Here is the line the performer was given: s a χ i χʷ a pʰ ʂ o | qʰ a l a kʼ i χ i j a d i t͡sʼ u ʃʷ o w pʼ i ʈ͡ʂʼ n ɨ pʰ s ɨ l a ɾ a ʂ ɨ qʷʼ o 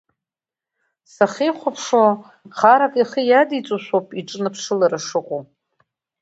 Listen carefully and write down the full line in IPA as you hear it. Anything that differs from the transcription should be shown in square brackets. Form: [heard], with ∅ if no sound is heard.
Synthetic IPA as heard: s a χ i χʷ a pʰ ʂ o | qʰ a [ɾ] a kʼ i χ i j a d i t͡sʼ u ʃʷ o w pʼ i ʈ͡ʂʼ n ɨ pʰ [ʂ] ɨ l a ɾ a ʂ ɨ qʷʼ o